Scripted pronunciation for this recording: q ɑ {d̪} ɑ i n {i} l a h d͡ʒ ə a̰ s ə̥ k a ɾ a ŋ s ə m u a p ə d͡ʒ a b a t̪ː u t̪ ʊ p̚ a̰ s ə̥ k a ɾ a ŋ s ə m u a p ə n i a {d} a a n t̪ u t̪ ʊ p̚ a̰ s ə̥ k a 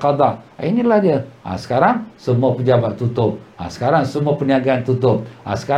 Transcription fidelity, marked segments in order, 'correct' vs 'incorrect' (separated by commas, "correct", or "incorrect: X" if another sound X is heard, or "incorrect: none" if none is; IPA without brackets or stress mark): correct, correct, incorrect: ɡ